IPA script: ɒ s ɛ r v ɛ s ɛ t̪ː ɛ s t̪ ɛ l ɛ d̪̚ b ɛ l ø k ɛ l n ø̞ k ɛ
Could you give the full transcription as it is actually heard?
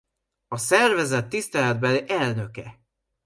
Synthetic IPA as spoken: ɒ s ɛ r v ɛ z ɛ t̪ː i s t̪ ɛ l ɛ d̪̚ b ɛ l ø ʔ ɛ l n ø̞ k ɛ